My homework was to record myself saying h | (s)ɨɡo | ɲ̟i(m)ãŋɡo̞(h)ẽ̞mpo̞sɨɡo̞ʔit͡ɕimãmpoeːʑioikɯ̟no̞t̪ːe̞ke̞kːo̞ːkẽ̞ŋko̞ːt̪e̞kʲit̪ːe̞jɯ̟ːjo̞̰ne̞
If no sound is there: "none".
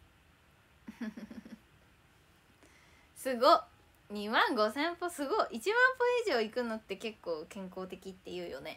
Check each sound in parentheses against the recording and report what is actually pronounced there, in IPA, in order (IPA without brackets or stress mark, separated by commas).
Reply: s, m, s